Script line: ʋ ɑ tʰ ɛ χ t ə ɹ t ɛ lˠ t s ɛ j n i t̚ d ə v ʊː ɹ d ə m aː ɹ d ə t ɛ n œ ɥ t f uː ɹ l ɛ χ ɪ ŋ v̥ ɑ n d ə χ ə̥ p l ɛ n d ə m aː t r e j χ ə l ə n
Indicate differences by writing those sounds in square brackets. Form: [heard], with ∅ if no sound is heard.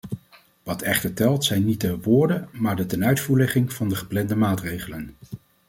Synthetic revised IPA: ʋ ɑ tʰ ɛ χ t ə ɹ t ɛ lˠ t s ɛ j n i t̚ d ə [ʋ] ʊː ɹ d ə m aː ɹ d ə t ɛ n œ ɥ t f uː ɹ l ɛ χ ɪ ŋ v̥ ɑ n d ə χ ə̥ p l ɛ n d ə m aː t r e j χ ə l ə n

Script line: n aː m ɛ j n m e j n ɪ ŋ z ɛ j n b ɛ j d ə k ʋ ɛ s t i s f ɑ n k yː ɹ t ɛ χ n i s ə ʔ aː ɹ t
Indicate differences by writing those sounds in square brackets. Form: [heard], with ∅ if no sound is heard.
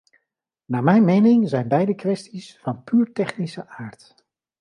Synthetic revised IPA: n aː m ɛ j n m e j n ɪ ŋ z ɛ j n b ɛ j d ə k ʋ ɛ s t i s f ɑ n [p] yː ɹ t ɛ χ n i s ə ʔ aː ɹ t

